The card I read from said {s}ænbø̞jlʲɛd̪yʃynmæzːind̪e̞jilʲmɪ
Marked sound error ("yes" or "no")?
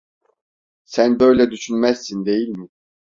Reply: no